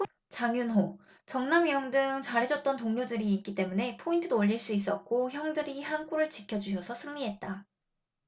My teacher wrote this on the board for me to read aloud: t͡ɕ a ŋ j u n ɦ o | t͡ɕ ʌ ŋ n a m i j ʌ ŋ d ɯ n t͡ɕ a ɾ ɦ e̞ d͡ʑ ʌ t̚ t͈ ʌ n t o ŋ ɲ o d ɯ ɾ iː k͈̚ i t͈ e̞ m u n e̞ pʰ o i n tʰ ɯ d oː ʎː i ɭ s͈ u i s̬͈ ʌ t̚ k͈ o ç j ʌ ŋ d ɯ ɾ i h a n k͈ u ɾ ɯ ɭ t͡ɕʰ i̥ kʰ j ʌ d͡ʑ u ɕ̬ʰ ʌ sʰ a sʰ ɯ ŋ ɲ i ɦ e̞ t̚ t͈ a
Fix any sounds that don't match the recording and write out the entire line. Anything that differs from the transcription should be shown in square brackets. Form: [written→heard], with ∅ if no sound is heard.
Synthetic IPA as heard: t͡ɕ a ŋ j u n ɦ o | t͡ɕ ʌ ŋ n a m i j ʌ ŋ d ɯ [n→ŋ] t͡ɕ a ɾ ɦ e̞ d͡ʑ ʌ t̚ t͈ ʌ n t o ŋ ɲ o d ɯ ɾ iː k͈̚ i t͈ e̞ m u n e̞ pʰ o i n tʰ ɯ d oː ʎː i ɭ s͈ u i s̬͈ ʌ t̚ k͈ o ç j ʌ ŋ d ɯ ɾ i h a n k͈ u ɾ ɯ ɭ [t͡ɕʰ→t͡ɕ] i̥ kʰ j ʌ d͡ʑ u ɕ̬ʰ ʌ sʰ [a→ʌ] sʰ ɯ ŋ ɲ i ɦ e̞ t̚ t͈ a